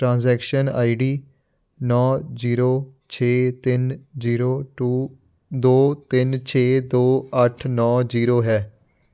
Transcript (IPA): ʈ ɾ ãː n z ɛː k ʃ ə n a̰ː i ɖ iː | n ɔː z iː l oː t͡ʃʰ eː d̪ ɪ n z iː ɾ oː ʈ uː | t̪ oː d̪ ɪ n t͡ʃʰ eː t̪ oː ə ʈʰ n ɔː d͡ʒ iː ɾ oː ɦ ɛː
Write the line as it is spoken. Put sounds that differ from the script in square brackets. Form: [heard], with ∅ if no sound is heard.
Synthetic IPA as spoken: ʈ ɾ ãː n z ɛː k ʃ ə n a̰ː i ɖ iː | n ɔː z iː [ɾ] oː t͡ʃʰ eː [t̪] ɪ n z iː ɾ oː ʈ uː | [d̪] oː [t̪] ɪ n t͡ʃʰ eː [d̪] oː ə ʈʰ n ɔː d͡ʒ iː ɾ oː ɦ ɛː